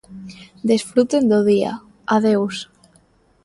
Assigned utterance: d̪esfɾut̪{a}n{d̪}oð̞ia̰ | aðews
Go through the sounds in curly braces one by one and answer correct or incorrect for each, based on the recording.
incorrect: e, correct

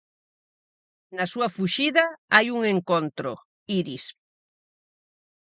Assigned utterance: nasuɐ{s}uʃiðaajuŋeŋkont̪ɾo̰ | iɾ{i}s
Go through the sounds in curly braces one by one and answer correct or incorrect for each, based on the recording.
incorrect: f, correct

